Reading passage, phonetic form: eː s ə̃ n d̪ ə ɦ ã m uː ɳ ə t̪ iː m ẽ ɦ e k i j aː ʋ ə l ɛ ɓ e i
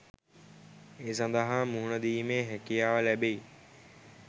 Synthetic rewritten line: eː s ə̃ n d̪ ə ɦ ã m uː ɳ ə d̪ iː m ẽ ɦ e k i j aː ʋ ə l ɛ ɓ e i